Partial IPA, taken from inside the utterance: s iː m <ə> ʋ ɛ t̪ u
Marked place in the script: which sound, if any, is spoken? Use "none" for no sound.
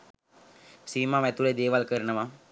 a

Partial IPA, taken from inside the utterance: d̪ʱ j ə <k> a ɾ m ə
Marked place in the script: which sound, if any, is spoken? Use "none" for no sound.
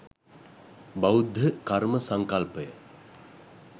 k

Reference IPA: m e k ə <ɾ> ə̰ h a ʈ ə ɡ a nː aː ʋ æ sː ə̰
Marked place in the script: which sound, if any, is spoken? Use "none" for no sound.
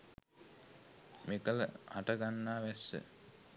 l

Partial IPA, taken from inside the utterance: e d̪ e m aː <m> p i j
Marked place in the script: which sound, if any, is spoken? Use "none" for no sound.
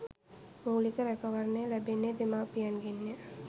none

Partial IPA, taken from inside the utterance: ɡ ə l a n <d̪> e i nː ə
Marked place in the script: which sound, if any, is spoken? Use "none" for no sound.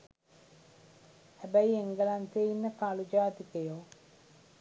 t̪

